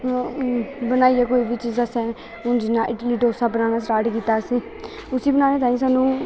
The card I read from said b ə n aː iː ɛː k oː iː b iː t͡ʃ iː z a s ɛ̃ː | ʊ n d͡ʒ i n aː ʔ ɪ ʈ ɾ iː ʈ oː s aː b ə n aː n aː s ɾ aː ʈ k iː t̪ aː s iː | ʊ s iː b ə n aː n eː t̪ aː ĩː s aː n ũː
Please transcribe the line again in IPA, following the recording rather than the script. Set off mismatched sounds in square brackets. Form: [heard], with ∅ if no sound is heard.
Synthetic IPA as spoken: b ə n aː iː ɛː k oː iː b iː t͡ʃ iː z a s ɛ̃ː | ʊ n d͡ʒ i n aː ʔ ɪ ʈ [l] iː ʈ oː s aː b ə n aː n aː s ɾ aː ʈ k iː t̪ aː s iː | ʊ s iː b ə n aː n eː t̪ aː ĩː s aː n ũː